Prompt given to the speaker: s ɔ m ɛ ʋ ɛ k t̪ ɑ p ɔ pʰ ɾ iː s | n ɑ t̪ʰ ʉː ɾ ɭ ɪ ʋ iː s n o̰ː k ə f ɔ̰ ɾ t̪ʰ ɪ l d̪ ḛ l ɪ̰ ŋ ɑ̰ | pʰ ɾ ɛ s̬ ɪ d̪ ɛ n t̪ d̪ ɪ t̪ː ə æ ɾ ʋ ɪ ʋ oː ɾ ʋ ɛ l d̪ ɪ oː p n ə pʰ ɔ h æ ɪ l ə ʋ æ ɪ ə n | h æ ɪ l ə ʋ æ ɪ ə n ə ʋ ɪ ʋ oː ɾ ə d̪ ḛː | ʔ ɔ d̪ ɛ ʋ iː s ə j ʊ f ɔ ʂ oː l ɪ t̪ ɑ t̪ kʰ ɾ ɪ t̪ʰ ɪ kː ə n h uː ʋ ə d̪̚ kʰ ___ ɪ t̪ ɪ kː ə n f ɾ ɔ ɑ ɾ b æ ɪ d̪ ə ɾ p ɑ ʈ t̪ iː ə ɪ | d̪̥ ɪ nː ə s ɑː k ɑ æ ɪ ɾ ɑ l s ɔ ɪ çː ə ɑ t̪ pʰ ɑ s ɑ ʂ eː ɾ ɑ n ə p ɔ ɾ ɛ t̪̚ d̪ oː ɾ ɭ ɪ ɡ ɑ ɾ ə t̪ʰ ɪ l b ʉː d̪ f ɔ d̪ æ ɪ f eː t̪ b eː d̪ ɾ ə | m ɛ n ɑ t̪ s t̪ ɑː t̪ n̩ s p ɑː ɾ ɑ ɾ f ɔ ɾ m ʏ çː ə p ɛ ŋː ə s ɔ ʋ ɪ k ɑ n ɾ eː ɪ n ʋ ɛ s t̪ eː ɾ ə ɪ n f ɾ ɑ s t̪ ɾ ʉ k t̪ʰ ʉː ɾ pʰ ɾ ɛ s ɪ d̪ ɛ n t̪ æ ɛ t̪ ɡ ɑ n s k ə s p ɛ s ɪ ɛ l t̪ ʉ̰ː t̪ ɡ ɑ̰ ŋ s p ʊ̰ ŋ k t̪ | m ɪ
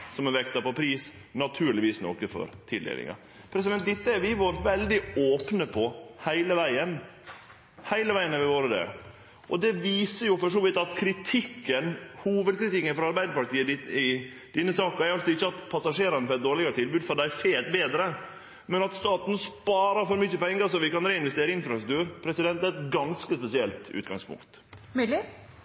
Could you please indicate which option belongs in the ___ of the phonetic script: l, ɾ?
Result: ɾ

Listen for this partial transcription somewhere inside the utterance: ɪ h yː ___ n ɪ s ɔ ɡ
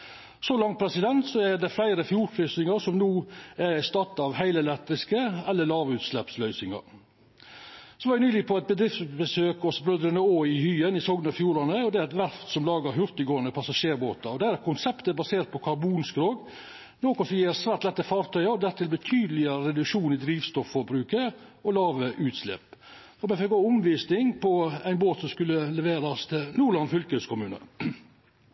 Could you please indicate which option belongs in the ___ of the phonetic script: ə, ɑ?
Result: ə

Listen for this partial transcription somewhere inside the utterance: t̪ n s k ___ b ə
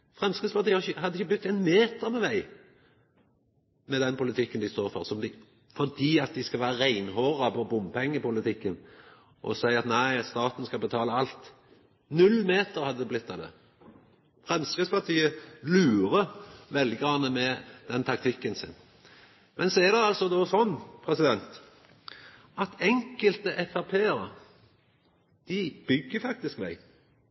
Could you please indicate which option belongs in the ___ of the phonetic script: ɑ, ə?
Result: ɑ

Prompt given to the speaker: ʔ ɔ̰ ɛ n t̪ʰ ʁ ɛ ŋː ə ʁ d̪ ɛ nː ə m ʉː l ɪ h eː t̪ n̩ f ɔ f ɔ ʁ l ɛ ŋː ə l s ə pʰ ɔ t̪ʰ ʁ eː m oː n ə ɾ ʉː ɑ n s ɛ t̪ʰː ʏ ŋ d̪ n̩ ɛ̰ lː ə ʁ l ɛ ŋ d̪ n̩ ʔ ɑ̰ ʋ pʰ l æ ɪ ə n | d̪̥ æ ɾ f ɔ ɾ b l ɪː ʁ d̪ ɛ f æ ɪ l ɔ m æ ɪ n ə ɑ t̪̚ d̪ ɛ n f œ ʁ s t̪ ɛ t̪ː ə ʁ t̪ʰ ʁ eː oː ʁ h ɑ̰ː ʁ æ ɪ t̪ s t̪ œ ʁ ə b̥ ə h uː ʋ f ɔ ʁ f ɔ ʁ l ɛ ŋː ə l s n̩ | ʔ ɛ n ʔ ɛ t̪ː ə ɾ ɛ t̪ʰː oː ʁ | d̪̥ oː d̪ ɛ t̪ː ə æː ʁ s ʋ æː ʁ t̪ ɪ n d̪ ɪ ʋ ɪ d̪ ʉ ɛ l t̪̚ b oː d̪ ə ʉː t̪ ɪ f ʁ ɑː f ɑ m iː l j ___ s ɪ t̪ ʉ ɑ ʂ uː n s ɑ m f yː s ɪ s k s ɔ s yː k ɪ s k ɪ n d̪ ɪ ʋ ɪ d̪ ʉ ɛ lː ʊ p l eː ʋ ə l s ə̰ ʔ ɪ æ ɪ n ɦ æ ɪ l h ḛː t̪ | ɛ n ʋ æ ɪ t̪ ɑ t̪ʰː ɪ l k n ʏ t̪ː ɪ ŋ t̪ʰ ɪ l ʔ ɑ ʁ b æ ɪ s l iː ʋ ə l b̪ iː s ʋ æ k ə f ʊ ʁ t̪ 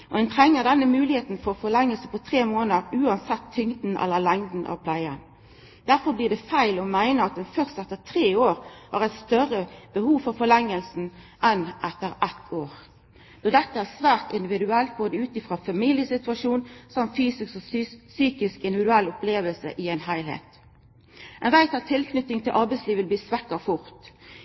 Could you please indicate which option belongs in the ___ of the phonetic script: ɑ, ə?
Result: ə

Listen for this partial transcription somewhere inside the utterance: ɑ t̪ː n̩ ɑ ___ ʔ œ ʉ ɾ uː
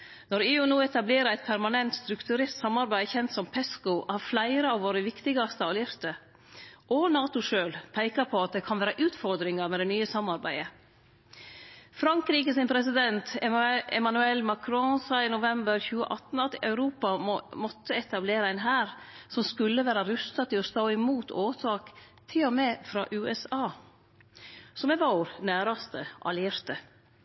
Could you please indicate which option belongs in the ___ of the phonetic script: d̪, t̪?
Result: t̪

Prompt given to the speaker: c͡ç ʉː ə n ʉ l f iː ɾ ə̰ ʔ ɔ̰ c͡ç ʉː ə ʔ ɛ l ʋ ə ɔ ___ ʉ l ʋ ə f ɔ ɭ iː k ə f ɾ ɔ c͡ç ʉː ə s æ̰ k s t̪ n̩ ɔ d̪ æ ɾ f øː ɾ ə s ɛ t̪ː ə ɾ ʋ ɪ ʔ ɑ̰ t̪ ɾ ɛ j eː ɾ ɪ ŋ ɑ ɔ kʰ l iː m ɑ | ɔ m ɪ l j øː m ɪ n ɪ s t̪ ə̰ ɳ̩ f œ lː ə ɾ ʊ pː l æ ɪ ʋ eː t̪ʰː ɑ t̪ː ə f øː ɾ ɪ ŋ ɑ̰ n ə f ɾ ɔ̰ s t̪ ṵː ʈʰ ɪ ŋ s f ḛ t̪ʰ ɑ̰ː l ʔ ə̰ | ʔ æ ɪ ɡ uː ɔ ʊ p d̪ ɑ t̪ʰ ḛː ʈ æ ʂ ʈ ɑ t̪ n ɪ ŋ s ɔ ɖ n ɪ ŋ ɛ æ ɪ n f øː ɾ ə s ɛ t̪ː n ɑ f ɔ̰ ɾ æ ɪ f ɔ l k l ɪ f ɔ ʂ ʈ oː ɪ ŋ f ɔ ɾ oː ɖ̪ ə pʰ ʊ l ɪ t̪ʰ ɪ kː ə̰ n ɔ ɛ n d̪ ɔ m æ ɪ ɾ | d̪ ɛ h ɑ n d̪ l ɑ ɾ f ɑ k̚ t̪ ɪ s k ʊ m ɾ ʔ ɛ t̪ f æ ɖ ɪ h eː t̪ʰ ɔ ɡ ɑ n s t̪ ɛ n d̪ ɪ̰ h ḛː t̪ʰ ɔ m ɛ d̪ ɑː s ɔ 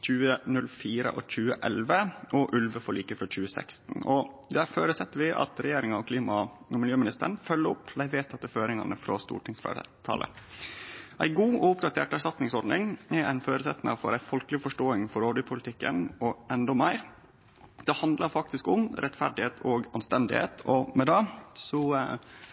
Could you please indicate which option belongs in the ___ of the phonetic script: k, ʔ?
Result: ʔ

